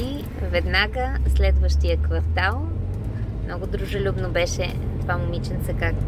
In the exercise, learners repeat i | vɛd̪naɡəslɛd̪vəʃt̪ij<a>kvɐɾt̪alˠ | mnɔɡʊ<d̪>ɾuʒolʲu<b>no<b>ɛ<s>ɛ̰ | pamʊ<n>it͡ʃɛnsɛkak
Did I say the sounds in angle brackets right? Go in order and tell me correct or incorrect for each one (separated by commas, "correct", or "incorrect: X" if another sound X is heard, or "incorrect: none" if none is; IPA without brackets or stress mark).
incorrect: ə, correct, correct, correct, incorrect: ʃ, incorrect: m